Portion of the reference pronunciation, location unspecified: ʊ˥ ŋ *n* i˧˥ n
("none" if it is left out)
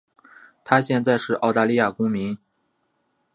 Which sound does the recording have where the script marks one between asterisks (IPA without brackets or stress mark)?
m